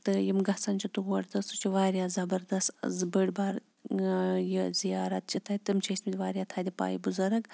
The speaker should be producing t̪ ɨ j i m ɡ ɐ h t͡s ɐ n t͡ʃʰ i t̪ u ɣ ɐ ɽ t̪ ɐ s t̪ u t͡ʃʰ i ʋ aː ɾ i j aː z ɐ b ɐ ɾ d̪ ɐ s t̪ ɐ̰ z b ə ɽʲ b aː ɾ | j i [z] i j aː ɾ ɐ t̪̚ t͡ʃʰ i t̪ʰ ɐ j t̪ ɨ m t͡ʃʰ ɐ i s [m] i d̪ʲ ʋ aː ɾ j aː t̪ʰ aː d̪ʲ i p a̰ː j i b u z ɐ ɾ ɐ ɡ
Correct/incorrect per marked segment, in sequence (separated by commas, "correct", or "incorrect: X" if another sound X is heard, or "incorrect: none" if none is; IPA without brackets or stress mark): correct, correct